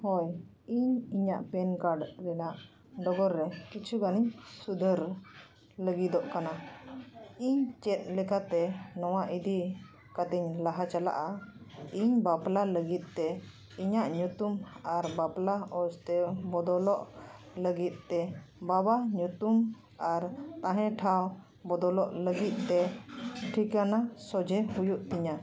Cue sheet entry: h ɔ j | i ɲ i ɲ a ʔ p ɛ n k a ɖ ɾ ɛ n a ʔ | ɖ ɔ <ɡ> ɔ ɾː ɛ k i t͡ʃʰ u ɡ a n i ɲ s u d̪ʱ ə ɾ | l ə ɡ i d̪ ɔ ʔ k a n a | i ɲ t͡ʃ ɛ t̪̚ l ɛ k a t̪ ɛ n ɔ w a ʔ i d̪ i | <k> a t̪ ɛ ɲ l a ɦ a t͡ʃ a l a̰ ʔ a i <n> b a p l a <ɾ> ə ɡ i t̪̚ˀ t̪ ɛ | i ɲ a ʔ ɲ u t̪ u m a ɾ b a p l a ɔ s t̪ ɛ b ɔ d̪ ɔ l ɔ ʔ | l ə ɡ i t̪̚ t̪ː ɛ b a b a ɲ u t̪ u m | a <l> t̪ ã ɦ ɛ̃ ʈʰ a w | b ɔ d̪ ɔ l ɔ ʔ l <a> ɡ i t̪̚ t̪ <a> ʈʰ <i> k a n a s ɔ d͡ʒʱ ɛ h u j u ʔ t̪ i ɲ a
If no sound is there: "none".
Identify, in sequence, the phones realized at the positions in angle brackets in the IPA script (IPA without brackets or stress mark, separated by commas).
ɡ, k, ɲ, l, ɾ, ə, ɛ, i